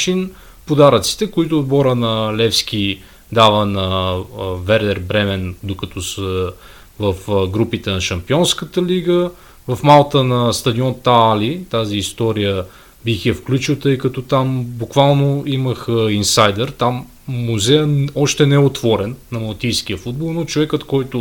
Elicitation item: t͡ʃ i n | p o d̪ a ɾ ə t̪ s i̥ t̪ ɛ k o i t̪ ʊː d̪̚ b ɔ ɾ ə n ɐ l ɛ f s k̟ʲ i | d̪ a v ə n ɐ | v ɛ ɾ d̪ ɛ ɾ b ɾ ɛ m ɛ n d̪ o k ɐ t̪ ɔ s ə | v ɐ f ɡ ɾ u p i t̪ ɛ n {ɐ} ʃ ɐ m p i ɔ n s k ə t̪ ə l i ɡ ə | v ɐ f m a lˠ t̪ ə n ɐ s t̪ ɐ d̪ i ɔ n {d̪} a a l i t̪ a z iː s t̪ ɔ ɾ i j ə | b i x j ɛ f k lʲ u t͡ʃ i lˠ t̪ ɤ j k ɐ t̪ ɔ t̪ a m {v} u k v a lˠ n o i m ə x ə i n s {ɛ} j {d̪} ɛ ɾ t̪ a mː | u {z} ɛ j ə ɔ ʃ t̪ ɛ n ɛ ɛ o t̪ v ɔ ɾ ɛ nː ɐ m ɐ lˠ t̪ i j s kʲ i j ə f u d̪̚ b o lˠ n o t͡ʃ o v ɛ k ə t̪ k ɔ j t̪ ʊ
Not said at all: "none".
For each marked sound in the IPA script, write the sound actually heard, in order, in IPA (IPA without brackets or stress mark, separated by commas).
ɐ, t̪, b, a, d̪, z